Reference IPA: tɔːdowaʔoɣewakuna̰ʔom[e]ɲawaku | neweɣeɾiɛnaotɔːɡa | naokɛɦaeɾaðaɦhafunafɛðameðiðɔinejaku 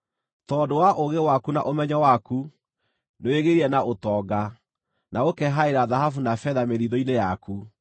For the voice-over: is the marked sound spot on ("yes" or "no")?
no